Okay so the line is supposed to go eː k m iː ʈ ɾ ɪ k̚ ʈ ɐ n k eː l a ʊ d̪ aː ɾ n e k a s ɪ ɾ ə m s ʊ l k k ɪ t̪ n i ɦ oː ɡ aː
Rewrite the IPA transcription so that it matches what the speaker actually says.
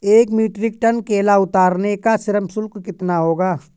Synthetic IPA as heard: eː k m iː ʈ ɾ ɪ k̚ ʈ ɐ n k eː l a ʊ t̪ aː ɾ n e k a s ɪ ɾ ə m s ʊ l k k ɪ t̪ n a ɦ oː ɡ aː